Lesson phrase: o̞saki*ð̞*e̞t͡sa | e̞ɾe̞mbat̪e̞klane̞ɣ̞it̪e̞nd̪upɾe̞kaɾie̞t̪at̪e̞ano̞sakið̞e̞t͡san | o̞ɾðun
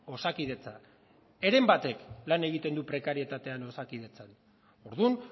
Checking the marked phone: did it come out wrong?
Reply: no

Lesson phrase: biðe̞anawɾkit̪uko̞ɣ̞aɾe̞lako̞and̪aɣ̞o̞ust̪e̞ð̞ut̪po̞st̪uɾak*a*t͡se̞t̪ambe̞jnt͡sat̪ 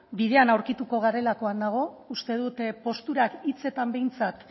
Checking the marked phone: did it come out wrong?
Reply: yes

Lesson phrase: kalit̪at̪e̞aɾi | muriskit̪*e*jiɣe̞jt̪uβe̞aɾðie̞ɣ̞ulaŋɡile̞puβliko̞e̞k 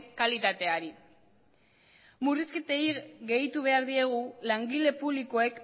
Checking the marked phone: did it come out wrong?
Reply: no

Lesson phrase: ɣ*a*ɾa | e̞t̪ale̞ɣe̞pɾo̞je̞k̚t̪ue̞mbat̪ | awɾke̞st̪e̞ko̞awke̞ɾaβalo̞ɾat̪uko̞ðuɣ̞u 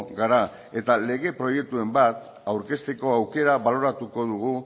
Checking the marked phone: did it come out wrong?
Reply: no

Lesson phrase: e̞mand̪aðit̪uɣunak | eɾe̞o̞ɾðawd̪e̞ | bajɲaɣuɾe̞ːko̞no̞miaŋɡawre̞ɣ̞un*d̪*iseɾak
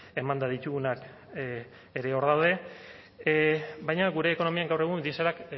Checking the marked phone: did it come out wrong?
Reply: no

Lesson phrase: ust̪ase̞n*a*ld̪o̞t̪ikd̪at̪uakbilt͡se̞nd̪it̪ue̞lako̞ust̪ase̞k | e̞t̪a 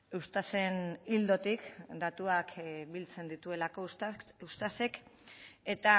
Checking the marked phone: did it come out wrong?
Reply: yes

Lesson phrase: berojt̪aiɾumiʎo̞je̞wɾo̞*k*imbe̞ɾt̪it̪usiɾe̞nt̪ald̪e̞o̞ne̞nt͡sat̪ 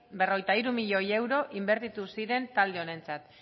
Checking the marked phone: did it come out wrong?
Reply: yes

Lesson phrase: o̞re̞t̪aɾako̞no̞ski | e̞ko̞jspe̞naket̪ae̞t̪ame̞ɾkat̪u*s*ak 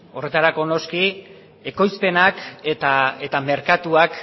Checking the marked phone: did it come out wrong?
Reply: yes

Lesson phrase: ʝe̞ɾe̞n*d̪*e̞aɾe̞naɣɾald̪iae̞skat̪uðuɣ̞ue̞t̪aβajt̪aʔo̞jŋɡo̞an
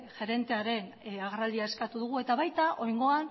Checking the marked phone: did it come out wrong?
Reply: yes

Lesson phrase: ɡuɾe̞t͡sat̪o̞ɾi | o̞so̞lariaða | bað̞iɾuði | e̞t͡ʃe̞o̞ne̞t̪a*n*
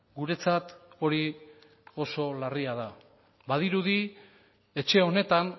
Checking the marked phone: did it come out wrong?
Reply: no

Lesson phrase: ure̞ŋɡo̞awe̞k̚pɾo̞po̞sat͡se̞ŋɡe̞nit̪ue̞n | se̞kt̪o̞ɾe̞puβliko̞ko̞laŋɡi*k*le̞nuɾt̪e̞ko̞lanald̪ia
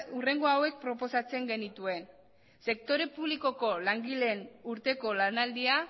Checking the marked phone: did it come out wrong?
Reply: yes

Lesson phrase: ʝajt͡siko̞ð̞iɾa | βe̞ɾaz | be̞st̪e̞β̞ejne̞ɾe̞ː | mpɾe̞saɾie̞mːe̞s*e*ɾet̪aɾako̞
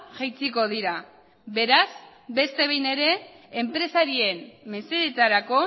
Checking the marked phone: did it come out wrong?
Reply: no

